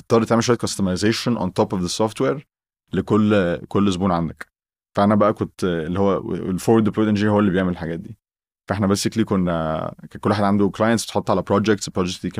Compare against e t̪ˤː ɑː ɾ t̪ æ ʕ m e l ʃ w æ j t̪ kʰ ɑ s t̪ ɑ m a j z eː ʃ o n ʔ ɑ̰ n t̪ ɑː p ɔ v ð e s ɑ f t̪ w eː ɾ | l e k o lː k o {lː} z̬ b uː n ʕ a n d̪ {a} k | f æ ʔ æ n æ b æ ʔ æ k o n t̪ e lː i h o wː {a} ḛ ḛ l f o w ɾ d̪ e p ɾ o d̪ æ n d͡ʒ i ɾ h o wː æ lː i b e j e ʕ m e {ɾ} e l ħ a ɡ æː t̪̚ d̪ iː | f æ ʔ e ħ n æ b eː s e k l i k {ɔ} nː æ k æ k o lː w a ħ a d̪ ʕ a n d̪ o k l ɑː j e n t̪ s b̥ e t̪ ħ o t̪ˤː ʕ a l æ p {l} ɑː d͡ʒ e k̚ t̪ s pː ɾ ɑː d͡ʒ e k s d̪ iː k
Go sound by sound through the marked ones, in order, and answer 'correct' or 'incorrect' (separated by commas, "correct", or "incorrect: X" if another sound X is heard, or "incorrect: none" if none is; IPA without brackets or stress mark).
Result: correct, incorrect: æ, incorrect: æ, incorrect: l, incorrect: o, incorrect: ɾ